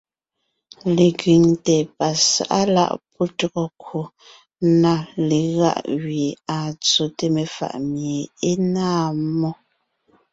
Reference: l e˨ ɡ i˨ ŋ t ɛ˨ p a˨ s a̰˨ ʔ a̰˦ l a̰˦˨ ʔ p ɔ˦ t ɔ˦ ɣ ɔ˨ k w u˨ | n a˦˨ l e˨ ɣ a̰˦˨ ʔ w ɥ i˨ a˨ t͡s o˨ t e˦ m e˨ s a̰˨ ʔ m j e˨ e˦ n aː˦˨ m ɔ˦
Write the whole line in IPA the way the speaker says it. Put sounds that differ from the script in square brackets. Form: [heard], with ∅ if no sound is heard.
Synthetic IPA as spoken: l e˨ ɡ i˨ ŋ t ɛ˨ p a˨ s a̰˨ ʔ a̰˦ l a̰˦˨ ʔ p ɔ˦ t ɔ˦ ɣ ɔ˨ k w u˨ | n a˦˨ l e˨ ɣ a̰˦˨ ʔ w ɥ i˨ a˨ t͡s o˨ t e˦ m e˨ [f] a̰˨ ʔ m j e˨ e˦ n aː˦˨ m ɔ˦

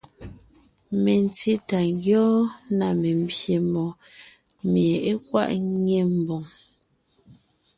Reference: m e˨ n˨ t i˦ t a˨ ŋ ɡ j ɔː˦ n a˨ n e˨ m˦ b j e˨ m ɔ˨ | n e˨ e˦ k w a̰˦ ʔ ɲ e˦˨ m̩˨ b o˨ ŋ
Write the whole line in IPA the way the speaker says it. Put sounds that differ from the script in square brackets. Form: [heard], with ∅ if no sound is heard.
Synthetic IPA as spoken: m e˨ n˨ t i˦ t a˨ ŋ ɡ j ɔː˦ n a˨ [m] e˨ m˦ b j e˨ m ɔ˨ | [m] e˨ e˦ k w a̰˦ ʔ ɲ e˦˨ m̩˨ b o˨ ŋ

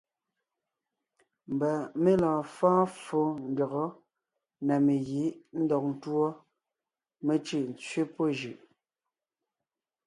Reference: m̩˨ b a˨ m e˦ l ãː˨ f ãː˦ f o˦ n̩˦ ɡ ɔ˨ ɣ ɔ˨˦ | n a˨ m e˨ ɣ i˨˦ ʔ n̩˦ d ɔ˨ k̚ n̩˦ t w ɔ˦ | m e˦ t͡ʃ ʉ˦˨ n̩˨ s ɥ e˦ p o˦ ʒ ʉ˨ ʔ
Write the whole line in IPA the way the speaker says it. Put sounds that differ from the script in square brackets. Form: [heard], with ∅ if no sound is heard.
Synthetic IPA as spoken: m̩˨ b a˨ m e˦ l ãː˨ f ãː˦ f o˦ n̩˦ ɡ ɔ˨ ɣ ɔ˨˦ | n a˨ m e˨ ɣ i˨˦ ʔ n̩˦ d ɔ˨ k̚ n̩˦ t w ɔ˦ | m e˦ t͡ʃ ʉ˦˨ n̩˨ [t͡s] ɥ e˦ p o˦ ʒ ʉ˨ ʔ

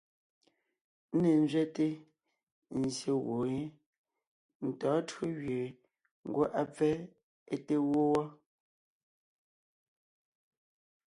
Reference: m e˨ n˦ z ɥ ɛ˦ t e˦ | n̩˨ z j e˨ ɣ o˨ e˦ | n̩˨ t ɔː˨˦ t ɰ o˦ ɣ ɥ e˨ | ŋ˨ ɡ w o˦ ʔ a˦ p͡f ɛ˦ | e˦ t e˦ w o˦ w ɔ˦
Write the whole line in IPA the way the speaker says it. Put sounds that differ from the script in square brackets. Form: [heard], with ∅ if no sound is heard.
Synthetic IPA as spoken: [n] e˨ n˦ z ɥ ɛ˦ t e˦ | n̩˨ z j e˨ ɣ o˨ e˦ | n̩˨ t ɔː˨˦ t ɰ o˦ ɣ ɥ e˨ | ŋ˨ ɡ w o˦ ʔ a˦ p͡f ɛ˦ | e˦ t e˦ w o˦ w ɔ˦

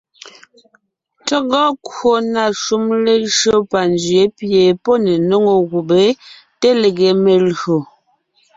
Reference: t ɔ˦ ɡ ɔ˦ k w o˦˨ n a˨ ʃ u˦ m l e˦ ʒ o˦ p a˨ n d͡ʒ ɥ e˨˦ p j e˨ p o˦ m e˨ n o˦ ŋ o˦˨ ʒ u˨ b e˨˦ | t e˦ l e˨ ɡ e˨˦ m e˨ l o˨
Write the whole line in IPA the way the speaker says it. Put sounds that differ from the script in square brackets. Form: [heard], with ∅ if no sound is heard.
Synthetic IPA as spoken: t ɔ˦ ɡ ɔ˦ k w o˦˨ n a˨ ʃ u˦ m l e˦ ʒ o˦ p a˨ n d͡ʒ ɥ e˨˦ p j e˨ p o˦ [n] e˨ n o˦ ŋ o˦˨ [ɣ] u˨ b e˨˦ | t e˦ l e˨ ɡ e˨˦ m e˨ l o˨

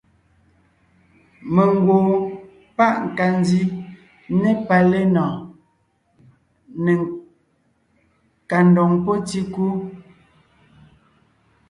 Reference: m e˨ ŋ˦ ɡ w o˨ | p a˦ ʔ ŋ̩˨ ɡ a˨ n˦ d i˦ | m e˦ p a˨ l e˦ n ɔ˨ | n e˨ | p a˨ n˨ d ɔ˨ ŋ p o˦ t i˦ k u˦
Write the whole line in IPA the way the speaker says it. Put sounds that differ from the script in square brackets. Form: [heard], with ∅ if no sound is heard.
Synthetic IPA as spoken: m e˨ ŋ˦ ɡ w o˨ | p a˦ ʔ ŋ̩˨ [k] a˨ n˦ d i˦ | [n] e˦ p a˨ l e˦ n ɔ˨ | n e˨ | [k] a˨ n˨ d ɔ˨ ŋ p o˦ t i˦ k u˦

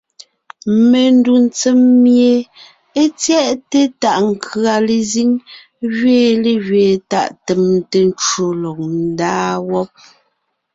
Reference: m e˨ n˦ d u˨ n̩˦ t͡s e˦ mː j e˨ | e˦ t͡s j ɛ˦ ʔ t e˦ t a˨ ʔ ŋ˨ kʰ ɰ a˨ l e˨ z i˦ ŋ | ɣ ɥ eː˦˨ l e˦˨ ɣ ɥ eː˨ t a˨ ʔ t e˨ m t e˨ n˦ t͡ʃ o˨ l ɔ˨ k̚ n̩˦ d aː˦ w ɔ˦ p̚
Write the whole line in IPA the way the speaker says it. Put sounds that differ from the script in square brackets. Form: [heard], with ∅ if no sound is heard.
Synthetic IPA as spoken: m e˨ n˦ d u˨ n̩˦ t͡s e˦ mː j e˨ | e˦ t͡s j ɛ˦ ʔ t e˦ t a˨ ʔ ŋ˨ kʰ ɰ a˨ l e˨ z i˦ ŋ | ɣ ɥ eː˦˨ l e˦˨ ɣ ɥ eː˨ t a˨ ʔ t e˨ m t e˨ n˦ t͡ʃ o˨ l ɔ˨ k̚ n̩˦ d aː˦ w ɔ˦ p̚

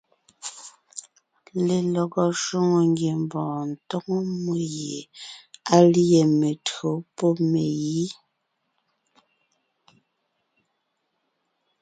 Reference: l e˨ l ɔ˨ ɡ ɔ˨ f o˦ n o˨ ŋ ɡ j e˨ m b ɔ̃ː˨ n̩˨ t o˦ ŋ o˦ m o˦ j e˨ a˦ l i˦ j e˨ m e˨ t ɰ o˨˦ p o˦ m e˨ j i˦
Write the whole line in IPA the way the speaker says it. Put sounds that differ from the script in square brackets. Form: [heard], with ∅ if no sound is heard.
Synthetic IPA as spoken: l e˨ l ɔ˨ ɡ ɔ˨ [ʃ] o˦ [ŋ] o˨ ŋ ɡ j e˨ m b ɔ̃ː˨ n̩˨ t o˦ ŋ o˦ m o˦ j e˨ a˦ l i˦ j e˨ m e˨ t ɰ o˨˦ p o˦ m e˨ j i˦

